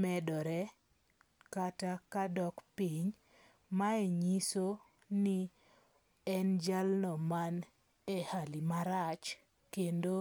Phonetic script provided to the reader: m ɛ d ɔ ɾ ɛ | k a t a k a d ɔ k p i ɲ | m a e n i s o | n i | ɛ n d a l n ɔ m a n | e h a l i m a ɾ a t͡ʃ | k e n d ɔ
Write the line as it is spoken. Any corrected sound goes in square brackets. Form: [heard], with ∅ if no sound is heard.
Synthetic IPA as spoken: m ɛ d ɔ ɾ ɛ | k a t a k a d ɔ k p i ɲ | m a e [ɲ] i s o | n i | ɛ n [d͡ʒ] a l n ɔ m a n | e h a l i m a ɾ a t͡ʃ | k e n d [o]